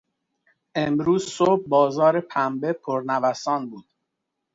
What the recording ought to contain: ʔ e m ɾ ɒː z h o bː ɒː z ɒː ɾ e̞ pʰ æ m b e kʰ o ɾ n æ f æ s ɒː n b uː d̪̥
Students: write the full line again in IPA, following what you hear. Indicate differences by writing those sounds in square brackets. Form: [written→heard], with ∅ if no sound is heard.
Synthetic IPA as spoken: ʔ e m ɾ [ɒː→uː] z [h→s] o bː ɒː z ɒː ɾ e̞ pʰ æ m b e [kʰ→pʰ] o ɾ n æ [f→v] æ s ɒː n b uː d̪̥